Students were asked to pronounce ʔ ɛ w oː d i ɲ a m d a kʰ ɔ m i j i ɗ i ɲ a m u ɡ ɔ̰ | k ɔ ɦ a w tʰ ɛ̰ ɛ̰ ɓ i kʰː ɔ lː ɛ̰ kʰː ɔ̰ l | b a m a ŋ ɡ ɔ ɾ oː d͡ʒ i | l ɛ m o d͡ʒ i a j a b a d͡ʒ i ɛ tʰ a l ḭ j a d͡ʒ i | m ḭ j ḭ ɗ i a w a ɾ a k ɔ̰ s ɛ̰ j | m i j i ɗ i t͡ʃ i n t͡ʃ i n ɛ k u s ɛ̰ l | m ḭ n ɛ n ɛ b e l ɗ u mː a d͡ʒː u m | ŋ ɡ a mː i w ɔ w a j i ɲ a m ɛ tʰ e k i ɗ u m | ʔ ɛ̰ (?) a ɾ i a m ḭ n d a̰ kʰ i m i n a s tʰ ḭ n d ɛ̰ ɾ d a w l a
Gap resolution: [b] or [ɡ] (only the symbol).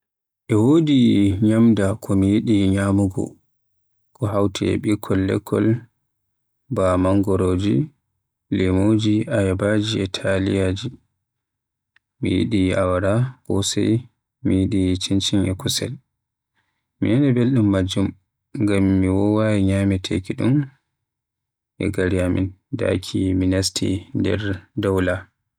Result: ɡ